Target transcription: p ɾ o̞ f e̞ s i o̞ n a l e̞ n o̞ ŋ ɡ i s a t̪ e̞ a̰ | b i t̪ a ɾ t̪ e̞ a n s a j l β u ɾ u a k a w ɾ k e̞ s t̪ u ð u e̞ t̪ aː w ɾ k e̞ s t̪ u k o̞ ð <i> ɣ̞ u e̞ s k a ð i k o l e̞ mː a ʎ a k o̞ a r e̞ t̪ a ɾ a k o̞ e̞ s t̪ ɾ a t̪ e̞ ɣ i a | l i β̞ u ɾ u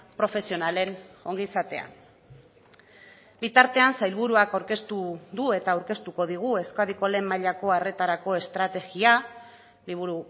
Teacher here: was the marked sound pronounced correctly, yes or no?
yes